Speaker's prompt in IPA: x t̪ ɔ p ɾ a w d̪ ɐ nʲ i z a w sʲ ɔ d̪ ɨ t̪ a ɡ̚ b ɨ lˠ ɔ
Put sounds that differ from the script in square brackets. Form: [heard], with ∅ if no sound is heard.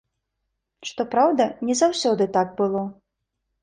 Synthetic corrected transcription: [ʂ] t̪ ɔ p ɾ a w d̪ ɐ nʲ [ɛ] z a w sʲ ɔ d̪ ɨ t̪ a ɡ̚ b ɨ lˠ ɔ